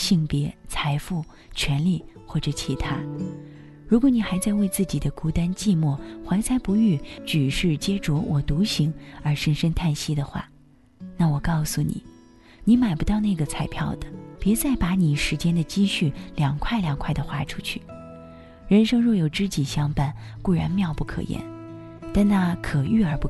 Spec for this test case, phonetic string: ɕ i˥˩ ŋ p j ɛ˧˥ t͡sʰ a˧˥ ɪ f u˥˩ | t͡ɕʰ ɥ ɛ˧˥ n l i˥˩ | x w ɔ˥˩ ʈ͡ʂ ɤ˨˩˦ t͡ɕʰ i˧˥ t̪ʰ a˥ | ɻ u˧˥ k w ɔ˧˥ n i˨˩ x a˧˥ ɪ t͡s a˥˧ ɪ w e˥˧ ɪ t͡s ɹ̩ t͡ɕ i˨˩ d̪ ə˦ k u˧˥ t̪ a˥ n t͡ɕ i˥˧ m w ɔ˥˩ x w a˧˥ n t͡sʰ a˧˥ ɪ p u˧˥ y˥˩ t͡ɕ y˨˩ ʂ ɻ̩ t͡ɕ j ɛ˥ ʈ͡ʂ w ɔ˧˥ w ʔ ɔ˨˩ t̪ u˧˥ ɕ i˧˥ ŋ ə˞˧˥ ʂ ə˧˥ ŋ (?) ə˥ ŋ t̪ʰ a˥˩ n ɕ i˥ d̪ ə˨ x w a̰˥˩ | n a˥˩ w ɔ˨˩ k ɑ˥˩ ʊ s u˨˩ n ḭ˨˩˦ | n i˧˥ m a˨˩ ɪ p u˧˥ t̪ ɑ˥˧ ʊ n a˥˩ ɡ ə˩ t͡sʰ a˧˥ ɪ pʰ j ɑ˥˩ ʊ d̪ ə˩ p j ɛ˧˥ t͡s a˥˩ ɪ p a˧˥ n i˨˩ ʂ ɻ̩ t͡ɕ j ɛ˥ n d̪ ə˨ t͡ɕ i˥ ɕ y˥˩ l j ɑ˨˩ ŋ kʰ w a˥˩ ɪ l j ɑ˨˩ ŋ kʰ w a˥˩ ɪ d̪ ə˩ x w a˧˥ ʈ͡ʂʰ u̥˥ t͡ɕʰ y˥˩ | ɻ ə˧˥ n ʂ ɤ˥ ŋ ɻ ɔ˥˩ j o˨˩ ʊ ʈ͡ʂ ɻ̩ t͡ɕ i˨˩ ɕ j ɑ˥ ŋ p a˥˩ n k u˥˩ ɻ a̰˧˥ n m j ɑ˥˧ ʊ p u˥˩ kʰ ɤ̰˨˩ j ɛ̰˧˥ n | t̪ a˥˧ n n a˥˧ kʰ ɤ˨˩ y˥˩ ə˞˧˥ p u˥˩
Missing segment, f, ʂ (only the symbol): ʂ